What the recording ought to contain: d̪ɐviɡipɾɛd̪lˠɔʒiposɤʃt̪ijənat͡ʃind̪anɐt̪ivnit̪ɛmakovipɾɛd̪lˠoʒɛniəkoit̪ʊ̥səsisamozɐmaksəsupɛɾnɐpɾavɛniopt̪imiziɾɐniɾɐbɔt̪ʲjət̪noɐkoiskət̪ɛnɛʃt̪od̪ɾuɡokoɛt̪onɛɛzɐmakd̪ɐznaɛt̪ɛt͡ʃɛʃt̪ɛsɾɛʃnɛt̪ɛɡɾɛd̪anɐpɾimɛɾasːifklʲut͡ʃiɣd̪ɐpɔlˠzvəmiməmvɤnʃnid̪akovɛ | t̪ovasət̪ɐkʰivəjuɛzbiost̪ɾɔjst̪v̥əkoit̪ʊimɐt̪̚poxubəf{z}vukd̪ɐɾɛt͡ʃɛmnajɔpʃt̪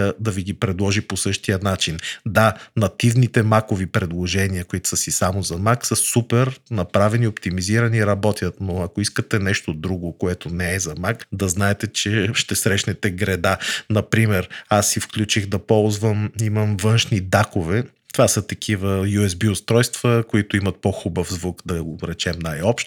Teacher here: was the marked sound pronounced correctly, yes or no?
yes